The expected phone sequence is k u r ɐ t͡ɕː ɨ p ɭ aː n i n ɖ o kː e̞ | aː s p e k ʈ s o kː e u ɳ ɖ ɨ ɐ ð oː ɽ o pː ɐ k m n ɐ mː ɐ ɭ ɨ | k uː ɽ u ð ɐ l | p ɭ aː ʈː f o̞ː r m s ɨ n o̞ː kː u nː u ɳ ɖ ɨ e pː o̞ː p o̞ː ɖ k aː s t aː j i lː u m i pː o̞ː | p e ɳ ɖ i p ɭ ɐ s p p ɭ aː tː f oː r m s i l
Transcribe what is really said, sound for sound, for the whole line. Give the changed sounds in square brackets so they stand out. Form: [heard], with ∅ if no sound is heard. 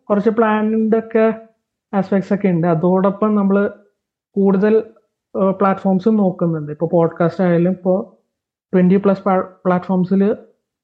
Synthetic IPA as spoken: k u r ɐ t͡ɕː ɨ p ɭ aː n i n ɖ o kː e̞ | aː s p e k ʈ s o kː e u ɳ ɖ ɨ ɐ ð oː ɽ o pː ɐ [∅] m n ɐ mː ɐ ɭ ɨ | k uː ɽ u ð ɐ l | p ɭ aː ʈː f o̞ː r m s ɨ n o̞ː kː u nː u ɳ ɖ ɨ [i] pː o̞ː p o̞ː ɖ k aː s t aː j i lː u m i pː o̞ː | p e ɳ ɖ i p ɭ ɐ s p p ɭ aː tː f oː r m s i l